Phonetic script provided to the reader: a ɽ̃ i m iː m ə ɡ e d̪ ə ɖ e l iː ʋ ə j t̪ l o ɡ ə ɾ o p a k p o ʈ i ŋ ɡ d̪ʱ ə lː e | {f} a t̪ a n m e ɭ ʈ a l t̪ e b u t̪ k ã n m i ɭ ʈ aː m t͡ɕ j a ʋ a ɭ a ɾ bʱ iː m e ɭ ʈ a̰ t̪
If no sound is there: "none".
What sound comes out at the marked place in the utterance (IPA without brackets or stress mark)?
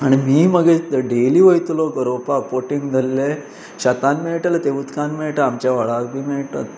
ɕ